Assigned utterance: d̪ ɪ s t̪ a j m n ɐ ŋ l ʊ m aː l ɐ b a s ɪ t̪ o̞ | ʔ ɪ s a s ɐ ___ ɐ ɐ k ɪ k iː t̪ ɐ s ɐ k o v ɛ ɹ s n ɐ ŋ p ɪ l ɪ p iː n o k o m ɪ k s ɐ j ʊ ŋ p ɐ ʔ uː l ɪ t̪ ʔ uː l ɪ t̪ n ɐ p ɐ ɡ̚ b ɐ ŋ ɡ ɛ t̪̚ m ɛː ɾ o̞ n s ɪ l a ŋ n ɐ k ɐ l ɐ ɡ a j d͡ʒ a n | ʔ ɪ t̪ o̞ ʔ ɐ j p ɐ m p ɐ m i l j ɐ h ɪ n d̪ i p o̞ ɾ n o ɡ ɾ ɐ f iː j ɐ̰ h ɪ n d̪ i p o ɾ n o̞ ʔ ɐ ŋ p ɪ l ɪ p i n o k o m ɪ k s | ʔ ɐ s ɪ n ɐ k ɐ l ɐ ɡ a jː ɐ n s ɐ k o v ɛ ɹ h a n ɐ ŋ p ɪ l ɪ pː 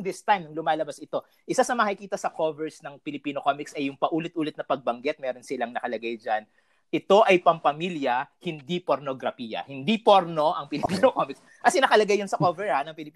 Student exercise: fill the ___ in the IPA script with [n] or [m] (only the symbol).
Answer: m